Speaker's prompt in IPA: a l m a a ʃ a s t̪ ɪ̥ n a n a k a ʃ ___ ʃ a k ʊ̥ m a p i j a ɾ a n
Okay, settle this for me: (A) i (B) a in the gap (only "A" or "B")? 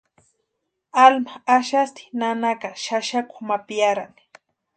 B